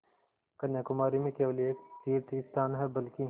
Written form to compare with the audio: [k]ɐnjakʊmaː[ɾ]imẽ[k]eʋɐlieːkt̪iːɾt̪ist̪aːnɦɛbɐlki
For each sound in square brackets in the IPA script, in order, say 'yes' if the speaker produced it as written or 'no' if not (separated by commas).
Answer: yes, yes, yes